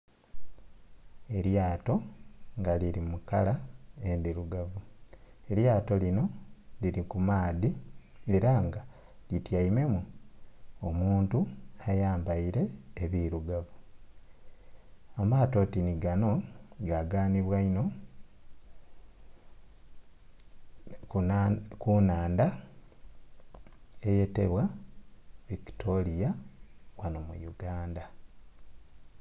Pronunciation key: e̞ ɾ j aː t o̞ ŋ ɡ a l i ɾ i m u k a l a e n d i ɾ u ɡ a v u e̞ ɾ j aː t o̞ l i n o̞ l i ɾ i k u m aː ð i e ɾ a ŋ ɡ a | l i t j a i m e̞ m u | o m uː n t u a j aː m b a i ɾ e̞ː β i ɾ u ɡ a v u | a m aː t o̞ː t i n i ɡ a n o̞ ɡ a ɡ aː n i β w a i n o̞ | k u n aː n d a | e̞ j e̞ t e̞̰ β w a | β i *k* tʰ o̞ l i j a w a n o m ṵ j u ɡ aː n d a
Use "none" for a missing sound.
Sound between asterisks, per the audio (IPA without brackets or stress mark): k